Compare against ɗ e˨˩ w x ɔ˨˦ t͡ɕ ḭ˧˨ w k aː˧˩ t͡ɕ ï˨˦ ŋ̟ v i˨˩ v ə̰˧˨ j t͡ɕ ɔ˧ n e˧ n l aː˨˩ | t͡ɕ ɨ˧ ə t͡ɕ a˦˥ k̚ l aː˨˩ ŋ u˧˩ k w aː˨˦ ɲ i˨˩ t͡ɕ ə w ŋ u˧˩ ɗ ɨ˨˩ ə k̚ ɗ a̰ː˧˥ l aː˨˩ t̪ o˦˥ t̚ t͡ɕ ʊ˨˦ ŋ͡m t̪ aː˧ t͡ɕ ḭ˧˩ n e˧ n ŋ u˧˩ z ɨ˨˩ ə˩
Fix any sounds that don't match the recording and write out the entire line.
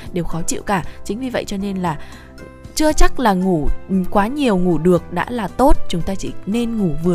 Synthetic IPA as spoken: ɗ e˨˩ w x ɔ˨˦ t͡ɕ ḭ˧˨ w k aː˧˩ t͡ɕ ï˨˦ ŋ̟ v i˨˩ v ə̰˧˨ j t͡ɕ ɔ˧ n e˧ n l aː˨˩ | t͡ɕ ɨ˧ ə t͡ɕ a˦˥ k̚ l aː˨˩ ŋ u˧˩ k w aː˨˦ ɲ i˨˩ ə w ŋ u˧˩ ɗ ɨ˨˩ ə k̚ ɗ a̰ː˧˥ l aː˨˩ t̪ o˦˥ t̚ t͡ɕ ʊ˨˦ ŋ͡m t̪ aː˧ t͡ɕ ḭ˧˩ n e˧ n ŋ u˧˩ v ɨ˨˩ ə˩